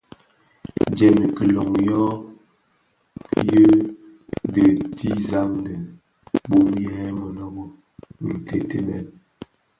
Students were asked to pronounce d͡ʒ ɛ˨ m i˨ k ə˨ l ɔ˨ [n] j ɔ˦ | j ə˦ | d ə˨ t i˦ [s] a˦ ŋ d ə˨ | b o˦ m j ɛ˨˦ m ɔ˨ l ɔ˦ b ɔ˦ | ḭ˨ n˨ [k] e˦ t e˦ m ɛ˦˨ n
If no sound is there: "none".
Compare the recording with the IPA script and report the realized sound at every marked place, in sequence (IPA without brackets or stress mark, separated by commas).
ŋ, z, t